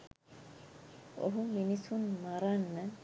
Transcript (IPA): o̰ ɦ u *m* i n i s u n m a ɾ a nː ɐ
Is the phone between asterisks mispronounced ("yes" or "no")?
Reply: no